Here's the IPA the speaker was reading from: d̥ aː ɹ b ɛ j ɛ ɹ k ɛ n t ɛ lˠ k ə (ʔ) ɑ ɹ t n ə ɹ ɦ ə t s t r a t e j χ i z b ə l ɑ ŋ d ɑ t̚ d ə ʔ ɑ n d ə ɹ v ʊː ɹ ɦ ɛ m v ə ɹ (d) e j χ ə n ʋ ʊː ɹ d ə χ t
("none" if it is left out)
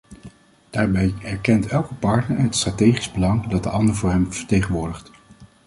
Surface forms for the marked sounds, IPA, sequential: p, t

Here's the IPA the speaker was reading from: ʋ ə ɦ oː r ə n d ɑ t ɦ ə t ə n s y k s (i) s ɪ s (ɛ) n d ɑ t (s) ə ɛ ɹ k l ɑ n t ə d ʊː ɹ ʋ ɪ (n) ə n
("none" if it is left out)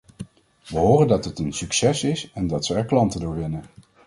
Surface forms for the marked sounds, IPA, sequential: ɛ, ɛ, s, n

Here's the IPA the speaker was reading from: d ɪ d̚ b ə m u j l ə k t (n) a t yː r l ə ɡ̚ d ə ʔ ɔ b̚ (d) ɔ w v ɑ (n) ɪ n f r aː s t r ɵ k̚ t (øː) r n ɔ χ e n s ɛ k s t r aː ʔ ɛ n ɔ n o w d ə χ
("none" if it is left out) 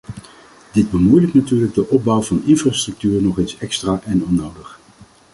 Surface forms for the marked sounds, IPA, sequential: n, b, n, yː

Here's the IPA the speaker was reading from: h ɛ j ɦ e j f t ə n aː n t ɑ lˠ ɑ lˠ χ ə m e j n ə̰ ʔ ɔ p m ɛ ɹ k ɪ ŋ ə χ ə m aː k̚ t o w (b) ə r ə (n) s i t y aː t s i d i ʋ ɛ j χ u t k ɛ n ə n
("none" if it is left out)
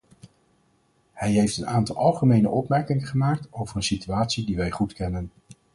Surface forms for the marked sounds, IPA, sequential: v, n

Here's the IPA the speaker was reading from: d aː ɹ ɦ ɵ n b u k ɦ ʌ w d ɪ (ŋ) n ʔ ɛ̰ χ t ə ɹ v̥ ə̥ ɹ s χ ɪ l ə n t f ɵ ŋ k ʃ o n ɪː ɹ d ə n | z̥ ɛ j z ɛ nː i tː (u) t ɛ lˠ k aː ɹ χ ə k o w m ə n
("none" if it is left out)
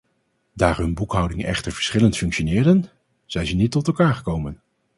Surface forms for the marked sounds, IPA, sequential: ŋ, ɔ

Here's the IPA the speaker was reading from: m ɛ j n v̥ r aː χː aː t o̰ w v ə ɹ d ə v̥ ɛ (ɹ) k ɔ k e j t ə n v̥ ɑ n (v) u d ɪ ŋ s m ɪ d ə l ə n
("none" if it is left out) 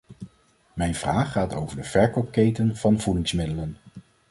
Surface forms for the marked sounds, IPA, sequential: ɹ, v

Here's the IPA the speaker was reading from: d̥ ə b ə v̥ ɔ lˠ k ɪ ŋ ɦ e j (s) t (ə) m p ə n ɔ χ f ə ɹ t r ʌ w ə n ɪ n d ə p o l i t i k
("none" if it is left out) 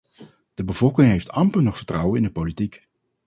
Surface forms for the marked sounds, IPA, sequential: f, ɑ

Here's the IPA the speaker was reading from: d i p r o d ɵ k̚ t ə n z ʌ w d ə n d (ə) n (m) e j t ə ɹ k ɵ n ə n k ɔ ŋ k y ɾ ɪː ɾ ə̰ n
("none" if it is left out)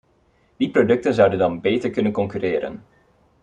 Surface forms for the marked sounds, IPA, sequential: ɑ, b

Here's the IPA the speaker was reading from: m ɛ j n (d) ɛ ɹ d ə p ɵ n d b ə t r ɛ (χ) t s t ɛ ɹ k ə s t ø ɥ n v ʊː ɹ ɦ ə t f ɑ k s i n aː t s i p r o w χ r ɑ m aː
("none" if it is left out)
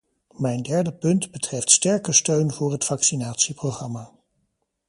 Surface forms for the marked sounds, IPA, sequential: d, f

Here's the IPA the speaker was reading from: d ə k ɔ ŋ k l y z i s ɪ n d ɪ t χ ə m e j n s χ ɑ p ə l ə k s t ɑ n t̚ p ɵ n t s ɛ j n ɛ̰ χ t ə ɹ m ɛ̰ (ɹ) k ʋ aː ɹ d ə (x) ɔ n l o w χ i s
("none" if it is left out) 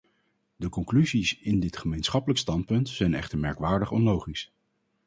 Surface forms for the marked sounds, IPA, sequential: ɹ, χ

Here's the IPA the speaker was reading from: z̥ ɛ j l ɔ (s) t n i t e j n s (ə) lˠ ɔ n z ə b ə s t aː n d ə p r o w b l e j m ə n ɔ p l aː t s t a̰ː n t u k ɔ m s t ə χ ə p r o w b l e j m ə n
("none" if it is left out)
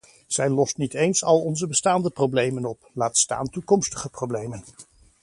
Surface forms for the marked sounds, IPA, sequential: s, ɑ

